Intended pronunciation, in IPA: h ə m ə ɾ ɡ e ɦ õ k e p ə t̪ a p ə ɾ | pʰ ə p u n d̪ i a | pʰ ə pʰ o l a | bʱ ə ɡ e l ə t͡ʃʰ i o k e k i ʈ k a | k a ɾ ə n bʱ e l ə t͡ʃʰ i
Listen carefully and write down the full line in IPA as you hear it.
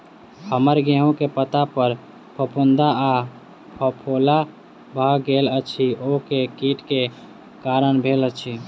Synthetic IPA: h ə m ə ɾ ɡ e ɦ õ k e p ə t̪ a p ə ɾ | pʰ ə p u n d̪ a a | pʰ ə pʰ o l a | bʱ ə ɡ e l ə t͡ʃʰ i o k e k i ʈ k e | k a ɾ ə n bʱ e l ə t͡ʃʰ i